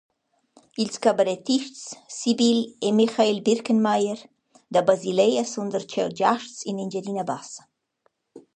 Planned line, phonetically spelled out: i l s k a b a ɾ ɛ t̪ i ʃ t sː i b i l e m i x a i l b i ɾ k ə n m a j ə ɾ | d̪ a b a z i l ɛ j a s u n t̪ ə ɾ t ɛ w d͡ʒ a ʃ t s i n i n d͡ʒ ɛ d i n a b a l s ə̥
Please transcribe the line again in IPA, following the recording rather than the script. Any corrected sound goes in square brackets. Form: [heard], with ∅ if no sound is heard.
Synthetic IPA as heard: i l s k a b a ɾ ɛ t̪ i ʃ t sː i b i l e m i x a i l b i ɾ k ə n m a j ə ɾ | d̪ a b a z i l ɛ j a s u n [d̪] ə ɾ [t͡ʃ] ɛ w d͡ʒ a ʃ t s i n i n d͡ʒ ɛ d i n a b a [∅] s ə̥